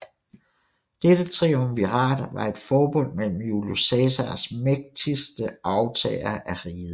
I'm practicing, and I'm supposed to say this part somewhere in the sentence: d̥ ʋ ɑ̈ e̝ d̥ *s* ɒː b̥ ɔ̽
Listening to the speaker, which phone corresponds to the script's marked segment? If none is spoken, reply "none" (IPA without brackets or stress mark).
f